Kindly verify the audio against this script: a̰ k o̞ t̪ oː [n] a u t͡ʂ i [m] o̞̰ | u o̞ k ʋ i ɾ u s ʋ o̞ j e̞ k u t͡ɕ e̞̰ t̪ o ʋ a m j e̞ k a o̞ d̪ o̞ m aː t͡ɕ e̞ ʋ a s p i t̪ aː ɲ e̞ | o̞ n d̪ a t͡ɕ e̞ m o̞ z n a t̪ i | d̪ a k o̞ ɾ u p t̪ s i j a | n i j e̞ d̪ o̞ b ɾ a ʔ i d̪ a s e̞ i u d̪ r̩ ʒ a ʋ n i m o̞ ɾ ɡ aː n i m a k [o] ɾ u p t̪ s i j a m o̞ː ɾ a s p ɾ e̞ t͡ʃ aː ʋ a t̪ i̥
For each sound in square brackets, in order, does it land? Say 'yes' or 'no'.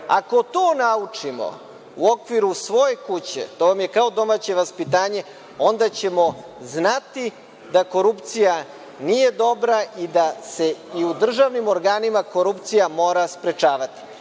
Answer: yes, yes, yes

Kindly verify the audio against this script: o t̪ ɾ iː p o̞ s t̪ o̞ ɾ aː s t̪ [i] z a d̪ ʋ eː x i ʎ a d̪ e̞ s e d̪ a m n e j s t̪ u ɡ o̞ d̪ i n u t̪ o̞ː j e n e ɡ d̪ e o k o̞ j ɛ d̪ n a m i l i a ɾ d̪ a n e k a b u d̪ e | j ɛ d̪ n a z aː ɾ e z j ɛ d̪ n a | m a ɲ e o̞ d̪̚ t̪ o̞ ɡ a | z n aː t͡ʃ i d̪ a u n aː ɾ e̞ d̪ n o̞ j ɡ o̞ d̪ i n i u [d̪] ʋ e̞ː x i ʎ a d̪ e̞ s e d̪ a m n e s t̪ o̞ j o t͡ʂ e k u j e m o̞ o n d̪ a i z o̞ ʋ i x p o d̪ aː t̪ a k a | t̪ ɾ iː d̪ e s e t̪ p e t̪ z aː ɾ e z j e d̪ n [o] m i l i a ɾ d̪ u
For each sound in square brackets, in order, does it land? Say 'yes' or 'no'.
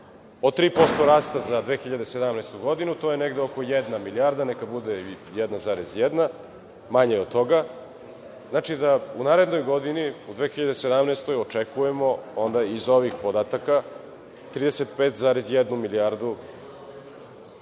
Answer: no, yes, no

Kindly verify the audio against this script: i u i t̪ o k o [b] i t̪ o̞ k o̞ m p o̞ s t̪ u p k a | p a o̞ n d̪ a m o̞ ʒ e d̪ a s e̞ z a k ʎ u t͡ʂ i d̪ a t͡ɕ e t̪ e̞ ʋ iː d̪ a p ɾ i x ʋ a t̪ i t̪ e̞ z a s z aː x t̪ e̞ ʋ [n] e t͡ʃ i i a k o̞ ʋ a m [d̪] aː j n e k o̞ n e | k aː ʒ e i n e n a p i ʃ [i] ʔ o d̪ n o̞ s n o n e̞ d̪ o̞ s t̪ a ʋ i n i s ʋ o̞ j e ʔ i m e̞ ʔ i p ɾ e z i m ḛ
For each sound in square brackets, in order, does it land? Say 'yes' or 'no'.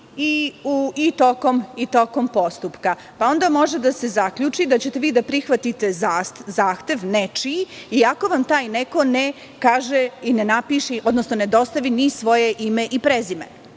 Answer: no, yes, no, yes

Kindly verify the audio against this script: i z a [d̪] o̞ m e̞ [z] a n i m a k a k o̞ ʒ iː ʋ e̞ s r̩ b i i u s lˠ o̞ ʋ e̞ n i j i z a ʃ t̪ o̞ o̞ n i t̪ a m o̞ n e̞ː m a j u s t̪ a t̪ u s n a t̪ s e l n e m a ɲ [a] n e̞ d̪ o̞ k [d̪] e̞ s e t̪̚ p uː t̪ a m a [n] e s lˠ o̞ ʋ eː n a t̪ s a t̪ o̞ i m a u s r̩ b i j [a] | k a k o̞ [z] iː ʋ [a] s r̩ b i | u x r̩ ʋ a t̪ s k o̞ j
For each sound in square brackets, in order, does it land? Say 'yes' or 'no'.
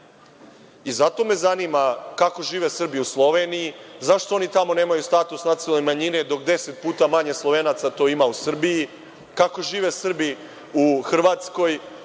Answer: no, yes, no, yes, no, no, no, no

